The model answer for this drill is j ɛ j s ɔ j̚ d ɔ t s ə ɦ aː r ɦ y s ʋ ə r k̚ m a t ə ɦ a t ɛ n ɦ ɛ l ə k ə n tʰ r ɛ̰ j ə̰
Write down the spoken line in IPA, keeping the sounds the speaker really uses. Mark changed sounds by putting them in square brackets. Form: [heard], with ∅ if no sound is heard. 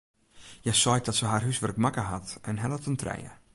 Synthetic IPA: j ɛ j s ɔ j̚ d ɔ t s ə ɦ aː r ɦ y s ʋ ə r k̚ m a [k] ə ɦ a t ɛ n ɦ ɛ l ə [t] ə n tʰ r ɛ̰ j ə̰